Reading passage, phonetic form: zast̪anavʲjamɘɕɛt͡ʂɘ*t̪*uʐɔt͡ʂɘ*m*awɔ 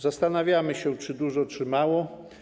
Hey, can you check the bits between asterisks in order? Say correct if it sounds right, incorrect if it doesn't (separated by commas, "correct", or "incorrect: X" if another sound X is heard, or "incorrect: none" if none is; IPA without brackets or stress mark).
incorrect: d̪, correct